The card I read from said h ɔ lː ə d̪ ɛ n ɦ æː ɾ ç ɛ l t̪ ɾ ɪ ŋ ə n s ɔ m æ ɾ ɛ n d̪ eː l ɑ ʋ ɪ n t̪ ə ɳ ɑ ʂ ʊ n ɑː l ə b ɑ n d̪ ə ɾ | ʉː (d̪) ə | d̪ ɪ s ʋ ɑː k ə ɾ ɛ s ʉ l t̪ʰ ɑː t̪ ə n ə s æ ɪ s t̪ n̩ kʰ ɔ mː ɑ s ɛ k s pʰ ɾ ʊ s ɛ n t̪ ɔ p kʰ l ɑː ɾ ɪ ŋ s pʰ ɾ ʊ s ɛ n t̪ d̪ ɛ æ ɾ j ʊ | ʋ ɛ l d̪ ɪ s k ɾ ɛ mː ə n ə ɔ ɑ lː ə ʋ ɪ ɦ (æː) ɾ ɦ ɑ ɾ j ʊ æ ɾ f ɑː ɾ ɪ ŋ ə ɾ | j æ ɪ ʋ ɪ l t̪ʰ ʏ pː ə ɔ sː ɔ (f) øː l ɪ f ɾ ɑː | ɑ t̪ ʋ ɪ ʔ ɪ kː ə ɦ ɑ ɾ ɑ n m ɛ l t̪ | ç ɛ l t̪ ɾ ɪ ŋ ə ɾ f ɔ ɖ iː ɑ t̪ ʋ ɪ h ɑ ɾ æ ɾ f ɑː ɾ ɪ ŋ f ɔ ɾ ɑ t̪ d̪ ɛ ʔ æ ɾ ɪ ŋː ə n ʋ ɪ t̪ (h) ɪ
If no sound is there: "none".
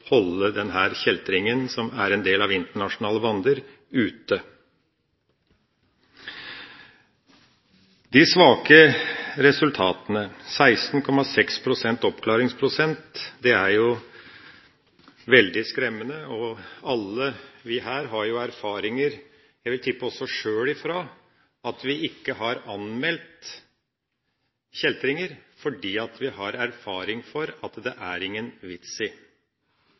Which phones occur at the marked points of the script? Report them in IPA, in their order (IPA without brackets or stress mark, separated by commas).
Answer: t̪, æː, ʂ, s